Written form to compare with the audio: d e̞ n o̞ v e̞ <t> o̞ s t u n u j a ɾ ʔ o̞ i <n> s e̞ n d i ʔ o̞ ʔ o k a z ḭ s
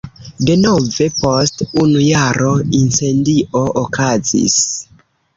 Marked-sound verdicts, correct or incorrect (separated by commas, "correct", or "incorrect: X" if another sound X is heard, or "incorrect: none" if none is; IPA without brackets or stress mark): incorrect: p, correct